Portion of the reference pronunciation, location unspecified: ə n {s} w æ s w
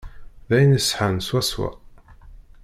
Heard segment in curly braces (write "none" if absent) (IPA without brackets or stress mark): s